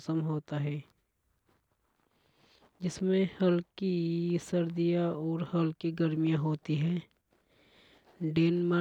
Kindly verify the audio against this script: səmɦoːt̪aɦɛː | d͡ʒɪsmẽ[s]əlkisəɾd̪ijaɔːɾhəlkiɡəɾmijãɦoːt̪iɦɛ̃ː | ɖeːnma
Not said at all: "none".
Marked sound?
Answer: h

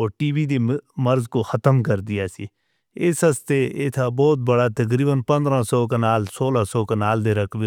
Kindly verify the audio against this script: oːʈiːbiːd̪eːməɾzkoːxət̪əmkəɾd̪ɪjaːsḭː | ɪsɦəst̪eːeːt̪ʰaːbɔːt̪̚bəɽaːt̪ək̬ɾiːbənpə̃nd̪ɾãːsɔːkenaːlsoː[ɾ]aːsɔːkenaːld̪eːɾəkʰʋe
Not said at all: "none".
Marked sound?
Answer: l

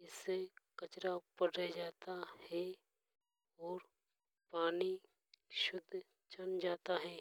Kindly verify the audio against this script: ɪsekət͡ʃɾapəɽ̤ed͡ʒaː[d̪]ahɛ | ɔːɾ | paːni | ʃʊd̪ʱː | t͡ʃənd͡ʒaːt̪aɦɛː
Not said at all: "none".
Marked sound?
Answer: t̪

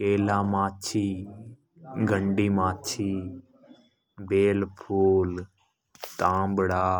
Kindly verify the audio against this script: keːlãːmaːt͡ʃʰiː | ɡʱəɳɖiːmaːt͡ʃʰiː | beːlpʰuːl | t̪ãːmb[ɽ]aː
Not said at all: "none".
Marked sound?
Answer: ɽ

